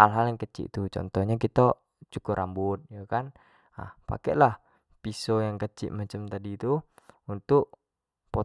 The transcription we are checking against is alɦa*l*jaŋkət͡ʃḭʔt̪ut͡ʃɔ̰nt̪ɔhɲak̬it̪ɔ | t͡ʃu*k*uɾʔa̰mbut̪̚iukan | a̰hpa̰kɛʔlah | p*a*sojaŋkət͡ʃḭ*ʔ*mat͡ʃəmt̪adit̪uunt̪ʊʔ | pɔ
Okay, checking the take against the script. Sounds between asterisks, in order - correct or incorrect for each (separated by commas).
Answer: correct, correct, incorrect, correct